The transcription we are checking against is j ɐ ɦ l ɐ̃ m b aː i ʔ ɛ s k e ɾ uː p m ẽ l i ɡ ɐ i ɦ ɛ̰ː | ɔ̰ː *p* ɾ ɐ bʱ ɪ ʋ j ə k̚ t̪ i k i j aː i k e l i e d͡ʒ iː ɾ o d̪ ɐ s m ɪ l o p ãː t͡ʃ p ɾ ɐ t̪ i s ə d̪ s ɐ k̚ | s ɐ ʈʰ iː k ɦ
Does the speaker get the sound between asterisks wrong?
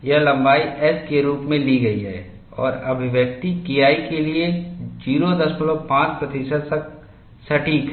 yes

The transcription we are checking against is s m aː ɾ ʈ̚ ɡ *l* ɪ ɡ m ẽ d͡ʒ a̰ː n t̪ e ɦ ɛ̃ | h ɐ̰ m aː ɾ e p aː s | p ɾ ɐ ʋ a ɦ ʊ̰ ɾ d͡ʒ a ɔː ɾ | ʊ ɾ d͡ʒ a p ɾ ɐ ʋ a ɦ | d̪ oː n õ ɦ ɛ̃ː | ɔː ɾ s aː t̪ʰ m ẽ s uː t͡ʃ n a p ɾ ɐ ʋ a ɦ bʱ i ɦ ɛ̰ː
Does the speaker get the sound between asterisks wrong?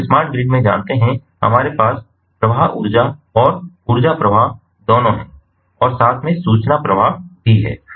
yes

